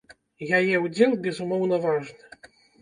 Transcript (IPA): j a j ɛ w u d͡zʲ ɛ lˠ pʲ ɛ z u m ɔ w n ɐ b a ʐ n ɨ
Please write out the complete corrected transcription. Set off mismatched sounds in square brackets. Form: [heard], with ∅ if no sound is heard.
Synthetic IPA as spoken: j a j ɛ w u d͡zʲ ɛ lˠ [bʲ] ɛ z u m ɔ w n ɐ [v] a ʐ n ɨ